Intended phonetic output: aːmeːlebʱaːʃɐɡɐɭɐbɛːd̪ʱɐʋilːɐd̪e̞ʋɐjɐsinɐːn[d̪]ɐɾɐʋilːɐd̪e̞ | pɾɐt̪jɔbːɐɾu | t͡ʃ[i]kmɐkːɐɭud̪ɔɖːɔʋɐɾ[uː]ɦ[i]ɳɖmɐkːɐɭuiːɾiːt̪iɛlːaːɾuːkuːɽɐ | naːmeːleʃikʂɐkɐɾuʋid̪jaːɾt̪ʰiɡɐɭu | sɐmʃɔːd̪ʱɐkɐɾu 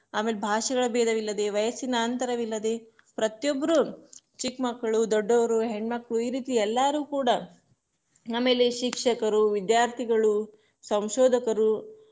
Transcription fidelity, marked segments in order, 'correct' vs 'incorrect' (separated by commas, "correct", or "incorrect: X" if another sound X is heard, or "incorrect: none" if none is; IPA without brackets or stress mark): incorrect: t̪, correct, incorrect: u, incorrect: e